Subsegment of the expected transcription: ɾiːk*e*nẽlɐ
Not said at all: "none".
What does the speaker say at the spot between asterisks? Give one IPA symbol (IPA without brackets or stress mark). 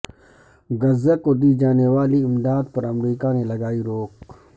a